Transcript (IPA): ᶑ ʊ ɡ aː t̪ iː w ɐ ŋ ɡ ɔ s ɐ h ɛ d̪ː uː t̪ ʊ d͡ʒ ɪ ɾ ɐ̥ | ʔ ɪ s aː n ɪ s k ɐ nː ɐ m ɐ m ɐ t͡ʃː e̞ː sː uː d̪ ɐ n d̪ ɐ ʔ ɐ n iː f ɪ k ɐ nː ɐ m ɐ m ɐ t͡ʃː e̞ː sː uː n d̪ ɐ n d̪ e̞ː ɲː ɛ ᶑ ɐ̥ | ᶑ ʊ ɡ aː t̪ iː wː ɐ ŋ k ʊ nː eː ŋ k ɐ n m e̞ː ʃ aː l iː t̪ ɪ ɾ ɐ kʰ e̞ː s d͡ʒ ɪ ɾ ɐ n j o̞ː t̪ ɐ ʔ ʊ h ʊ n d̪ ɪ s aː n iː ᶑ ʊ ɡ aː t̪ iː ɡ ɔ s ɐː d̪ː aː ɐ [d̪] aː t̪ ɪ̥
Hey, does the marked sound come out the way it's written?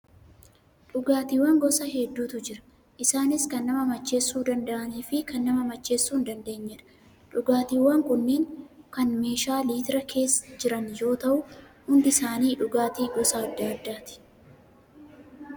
no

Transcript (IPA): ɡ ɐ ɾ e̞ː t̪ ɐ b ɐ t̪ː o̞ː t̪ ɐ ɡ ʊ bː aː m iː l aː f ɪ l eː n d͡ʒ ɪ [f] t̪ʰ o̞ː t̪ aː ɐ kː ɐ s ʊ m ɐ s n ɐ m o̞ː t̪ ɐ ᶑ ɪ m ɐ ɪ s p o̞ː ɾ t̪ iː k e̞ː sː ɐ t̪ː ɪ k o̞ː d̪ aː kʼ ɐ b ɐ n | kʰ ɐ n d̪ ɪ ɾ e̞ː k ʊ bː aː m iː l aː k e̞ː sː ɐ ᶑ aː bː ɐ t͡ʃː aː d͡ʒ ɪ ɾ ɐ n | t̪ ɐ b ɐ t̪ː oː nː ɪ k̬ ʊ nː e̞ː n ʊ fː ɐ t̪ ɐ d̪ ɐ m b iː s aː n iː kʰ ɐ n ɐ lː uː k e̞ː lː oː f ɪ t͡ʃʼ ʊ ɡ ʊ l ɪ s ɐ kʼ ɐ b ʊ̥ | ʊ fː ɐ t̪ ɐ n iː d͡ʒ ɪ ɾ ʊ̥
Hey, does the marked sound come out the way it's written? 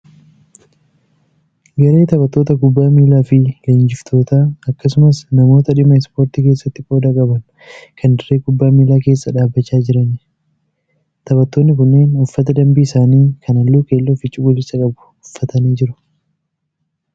yes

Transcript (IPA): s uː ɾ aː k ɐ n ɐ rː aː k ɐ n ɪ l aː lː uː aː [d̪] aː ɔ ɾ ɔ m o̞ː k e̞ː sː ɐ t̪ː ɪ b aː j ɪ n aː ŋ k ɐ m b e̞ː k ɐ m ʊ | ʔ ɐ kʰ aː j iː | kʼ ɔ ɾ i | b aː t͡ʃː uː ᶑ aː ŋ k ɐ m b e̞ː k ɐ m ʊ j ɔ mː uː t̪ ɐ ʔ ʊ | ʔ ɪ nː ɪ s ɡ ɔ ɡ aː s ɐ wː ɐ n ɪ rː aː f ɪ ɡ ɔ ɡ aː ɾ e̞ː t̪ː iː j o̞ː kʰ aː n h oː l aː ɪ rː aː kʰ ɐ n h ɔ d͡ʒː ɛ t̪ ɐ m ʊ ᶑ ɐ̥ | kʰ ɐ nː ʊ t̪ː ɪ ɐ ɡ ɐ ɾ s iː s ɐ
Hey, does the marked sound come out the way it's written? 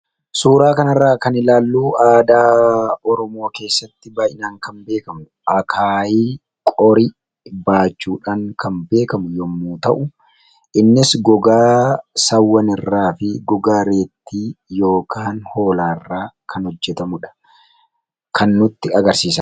yes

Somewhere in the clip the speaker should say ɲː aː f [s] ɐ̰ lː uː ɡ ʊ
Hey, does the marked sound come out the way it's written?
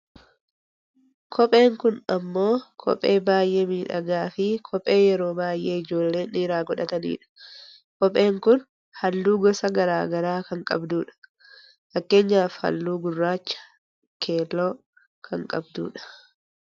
no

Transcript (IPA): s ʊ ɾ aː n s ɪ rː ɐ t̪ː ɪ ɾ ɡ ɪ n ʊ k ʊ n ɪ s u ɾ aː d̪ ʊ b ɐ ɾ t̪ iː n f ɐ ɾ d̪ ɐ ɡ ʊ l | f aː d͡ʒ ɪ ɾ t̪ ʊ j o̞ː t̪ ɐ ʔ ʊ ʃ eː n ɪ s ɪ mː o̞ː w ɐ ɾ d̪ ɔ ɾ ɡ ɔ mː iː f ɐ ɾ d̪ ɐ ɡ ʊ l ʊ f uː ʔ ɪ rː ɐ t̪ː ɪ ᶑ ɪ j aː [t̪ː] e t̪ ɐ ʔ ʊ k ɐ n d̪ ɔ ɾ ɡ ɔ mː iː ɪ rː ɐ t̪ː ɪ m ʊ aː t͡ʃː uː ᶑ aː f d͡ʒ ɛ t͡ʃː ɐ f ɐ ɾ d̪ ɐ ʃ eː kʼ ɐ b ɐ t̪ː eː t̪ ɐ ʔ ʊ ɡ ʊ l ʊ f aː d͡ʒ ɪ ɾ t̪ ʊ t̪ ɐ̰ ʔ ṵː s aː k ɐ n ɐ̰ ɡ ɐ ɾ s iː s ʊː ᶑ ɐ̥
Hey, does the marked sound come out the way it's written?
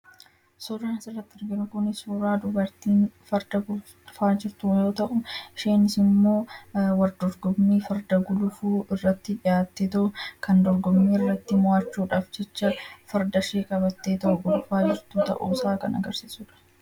yes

